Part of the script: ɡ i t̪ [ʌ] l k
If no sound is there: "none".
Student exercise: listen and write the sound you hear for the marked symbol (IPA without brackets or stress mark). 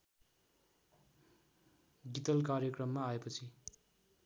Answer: ʌ